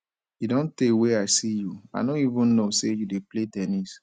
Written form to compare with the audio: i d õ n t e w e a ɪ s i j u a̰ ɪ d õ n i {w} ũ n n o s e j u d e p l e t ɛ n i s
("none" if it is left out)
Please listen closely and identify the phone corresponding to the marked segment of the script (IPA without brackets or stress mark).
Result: v